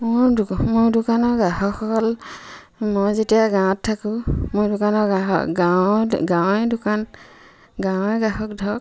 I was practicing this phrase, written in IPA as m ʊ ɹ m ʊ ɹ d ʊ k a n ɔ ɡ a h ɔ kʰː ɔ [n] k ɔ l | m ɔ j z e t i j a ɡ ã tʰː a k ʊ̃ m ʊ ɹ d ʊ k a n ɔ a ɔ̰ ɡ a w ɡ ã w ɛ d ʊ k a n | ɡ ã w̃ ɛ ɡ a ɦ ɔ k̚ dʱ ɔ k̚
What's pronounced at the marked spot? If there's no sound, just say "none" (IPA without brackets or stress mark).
none